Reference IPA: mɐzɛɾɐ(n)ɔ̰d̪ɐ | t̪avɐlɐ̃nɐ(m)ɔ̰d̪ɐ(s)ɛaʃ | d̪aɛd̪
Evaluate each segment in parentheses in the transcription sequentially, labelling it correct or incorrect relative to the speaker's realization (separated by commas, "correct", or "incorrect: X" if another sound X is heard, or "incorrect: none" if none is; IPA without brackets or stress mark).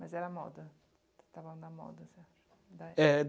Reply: incorrect: m, correct, correct